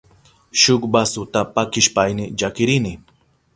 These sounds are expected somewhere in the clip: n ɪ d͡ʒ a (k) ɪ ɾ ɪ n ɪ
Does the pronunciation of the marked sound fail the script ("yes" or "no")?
no